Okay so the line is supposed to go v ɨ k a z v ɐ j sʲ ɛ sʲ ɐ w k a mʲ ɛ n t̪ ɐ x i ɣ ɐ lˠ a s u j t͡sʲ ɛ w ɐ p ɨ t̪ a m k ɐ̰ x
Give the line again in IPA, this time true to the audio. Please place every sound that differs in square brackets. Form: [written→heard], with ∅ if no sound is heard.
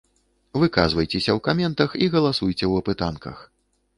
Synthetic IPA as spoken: v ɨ k a z v ɐ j [sʲ→t͡sʲ] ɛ sʲ ɐ w k a mʲ ɛ n t̪ ɐ x i ɣ ɐ lˠ a s u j t͡sʲ ɛ w ɐ p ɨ t̪ a [m→n] k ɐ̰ x